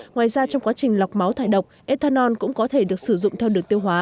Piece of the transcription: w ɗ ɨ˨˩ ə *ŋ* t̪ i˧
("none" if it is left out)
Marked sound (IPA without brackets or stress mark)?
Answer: ŋ